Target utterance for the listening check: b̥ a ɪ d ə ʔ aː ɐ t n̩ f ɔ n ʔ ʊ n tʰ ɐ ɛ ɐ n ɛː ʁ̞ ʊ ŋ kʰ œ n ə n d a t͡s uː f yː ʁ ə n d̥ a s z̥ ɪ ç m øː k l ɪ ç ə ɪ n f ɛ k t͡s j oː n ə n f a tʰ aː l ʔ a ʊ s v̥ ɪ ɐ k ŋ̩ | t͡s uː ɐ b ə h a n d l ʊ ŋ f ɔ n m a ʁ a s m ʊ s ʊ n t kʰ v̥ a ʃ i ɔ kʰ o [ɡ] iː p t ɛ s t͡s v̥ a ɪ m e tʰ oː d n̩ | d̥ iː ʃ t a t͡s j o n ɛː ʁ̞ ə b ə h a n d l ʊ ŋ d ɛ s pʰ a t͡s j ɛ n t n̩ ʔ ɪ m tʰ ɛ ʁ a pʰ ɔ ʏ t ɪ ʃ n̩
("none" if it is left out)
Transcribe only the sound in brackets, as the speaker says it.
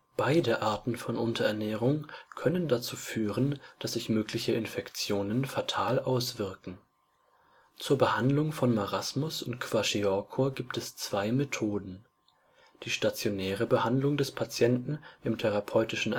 ɡ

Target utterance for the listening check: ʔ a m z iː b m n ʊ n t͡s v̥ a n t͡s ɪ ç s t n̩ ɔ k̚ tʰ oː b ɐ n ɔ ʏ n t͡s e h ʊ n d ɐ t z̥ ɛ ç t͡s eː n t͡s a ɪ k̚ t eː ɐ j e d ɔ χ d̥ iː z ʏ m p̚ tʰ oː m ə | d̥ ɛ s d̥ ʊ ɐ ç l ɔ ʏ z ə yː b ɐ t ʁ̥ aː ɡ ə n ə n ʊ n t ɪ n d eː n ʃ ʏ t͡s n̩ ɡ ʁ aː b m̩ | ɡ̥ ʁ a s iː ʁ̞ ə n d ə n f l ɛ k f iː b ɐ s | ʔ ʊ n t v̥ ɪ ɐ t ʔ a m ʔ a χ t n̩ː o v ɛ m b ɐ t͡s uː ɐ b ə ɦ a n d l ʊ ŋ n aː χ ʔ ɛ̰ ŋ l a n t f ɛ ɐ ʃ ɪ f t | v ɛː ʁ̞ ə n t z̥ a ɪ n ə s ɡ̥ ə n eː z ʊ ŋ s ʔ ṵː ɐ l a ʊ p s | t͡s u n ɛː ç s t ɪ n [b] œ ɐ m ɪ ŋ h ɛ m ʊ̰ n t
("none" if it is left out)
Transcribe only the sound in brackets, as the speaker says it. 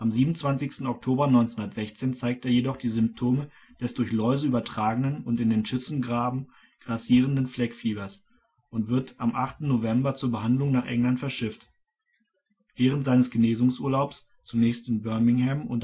b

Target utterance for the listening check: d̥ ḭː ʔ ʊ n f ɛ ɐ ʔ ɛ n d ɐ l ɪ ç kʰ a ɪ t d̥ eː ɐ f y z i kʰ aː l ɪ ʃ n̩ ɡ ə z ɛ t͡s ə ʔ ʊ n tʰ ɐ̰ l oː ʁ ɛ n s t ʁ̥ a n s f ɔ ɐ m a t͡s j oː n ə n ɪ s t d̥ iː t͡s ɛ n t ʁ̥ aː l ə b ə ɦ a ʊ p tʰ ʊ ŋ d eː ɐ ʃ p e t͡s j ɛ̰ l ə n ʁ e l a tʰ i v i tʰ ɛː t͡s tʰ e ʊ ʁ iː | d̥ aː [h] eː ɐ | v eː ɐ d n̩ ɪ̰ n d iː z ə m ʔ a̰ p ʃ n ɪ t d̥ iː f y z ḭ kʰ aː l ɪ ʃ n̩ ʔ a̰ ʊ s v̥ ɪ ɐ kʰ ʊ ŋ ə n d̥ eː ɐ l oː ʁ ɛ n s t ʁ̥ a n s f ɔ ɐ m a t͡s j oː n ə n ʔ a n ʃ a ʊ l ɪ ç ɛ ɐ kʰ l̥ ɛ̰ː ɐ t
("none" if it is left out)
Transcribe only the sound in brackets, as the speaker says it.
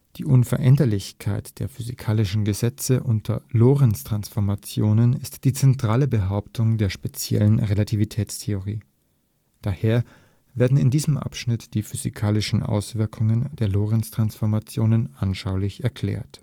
h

